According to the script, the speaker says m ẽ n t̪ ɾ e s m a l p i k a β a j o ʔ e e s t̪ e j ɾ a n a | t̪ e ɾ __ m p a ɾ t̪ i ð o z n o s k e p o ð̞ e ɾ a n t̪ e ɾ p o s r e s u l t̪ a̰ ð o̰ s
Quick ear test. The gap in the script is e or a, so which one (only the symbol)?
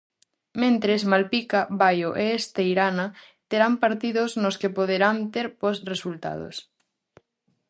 a